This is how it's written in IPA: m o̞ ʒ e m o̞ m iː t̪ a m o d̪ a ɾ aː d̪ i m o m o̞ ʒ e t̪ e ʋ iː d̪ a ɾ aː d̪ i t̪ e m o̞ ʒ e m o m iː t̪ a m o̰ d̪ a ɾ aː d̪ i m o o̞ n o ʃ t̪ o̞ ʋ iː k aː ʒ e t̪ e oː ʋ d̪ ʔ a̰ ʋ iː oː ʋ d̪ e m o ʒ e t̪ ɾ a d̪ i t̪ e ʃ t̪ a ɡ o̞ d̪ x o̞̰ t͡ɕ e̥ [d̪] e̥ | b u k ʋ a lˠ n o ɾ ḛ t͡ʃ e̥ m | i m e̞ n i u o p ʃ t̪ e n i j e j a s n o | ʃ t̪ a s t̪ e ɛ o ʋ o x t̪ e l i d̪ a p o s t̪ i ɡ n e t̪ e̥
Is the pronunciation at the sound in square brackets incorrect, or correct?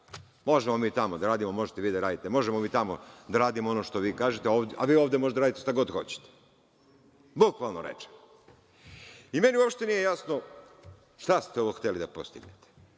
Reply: incorrect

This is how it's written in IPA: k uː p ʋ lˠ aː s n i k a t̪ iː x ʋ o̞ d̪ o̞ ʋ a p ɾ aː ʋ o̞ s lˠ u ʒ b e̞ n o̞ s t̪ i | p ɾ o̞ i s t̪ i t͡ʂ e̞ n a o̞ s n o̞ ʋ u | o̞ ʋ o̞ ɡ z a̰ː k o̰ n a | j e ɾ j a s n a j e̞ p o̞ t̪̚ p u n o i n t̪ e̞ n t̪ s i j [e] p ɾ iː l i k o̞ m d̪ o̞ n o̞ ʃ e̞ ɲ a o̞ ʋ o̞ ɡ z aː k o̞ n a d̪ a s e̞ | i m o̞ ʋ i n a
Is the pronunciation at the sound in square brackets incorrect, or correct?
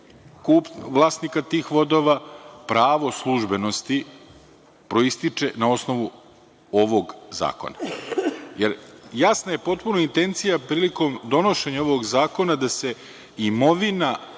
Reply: incorrect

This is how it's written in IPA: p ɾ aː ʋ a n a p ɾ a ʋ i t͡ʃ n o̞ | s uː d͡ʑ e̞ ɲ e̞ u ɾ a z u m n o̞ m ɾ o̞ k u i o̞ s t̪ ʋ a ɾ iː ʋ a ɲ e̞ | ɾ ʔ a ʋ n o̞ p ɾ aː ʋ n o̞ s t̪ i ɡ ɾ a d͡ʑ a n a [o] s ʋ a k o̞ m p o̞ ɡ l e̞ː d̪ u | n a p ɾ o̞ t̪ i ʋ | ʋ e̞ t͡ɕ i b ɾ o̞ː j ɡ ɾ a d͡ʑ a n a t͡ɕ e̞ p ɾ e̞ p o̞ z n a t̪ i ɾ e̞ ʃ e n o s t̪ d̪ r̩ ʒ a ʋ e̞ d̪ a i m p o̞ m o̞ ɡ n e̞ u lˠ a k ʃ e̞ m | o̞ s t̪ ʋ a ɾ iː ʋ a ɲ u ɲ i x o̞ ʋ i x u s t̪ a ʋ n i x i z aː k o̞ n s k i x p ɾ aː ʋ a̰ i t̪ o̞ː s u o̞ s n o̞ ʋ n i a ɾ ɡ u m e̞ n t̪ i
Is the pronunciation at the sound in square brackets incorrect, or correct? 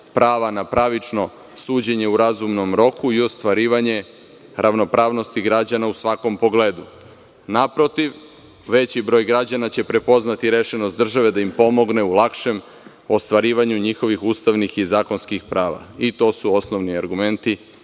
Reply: incorrect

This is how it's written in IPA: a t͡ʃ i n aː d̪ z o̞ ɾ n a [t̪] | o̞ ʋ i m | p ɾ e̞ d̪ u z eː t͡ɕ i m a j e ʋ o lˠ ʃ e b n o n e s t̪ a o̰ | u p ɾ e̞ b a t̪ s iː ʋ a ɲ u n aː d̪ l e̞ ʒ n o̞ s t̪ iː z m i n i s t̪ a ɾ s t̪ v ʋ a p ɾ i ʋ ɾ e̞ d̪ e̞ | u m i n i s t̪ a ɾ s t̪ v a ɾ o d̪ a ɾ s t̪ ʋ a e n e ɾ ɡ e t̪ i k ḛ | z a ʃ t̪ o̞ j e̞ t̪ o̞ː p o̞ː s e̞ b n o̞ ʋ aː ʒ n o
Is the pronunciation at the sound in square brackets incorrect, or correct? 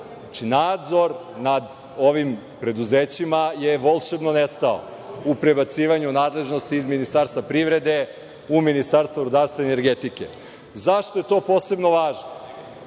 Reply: incorrect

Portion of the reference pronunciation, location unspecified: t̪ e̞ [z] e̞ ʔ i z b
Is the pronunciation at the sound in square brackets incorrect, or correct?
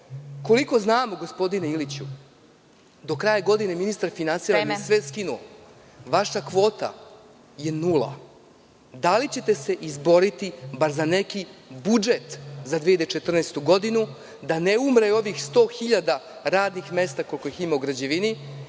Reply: incorrect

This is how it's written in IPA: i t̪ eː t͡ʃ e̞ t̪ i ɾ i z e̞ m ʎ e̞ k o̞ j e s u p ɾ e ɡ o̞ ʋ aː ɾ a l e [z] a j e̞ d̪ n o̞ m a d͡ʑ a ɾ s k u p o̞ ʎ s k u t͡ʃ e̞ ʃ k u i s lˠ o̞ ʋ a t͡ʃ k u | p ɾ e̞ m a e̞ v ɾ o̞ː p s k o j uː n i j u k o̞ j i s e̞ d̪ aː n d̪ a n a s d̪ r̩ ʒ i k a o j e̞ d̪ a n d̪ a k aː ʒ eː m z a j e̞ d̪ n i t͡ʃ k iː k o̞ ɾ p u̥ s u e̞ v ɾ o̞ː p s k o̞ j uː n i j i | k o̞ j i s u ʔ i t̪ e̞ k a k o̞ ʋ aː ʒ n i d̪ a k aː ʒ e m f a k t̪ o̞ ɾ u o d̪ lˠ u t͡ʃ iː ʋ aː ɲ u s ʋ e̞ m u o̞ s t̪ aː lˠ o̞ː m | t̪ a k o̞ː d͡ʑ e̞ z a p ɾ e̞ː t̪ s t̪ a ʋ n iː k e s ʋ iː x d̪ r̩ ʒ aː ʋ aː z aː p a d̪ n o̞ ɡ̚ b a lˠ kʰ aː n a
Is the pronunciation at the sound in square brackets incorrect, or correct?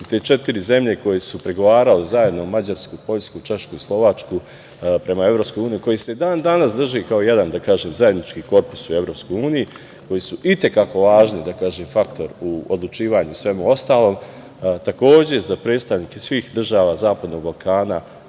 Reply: correct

